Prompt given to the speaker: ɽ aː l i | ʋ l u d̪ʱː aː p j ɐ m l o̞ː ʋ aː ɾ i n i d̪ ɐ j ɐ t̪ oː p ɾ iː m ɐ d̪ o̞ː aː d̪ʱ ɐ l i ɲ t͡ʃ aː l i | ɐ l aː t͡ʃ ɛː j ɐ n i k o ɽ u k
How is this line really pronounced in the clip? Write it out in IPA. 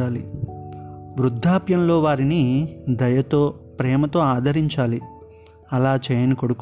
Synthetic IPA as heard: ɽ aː l i | ʋ ɾ u d̪ʱː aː p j ɐ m l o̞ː ʋ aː ɾ i n i d̪ ɐ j ɐ t̪ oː p ɾ ɛː m ɐ t̪ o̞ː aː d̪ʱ ɐ ɾ i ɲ t͡ʃ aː l i | ɐ l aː t͡ʃ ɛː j ɐ n i k o ɽ u k